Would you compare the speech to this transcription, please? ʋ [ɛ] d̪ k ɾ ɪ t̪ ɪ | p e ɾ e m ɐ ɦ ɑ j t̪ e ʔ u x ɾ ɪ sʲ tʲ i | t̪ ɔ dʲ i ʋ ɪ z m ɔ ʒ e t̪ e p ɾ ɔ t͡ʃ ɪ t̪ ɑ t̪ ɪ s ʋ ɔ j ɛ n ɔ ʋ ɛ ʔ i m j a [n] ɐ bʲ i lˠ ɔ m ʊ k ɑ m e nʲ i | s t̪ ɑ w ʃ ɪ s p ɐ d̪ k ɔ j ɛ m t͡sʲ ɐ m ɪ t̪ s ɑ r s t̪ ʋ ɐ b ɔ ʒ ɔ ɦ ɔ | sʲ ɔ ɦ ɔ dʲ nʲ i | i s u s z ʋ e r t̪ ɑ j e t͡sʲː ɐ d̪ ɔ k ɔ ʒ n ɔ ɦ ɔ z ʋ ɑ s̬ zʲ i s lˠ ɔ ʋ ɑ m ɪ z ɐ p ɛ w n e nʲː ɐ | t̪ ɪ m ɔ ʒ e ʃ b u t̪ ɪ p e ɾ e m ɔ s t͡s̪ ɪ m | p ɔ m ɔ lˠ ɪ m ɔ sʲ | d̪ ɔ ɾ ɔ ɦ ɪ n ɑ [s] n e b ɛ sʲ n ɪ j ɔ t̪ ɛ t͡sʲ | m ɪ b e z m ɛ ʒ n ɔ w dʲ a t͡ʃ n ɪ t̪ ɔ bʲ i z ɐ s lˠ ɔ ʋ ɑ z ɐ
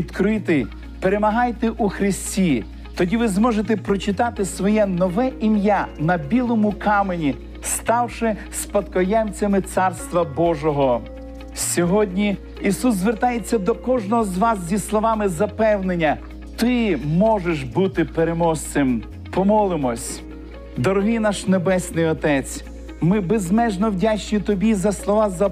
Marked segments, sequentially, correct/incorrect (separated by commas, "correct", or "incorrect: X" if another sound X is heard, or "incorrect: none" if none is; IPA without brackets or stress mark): incorrect: i, correct, incorrect: ʃ